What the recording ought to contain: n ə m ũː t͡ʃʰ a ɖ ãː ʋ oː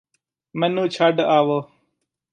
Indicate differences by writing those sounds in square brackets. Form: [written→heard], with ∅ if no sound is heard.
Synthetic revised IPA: [n→m] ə [m→n] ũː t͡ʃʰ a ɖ [ãː→aː] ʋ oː